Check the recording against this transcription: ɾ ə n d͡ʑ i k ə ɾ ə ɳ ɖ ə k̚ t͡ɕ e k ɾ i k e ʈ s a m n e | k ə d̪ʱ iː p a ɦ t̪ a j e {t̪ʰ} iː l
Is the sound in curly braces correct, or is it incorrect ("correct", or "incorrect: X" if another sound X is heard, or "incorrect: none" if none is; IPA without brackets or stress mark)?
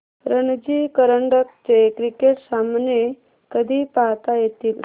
incorrect: t̪